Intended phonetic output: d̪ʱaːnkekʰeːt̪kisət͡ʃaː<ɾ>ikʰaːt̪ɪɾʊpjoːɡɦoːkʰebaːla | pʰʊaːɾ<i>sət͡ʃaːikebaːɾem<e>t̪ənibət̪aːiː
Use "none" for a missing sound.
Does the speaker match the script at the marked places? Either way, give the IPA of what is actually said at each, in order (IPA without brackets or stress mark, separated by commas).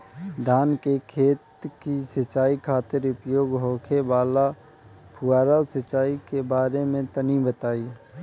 none, a, ẽ